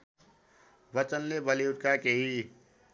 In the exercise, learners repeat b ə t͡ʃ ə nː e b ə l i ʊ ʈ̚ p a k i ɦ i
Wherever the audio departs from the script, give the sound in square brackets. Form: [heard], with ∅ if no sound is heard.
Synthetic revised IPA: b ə t͡ʃ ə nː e b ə l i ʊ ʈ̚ [k] a k [e] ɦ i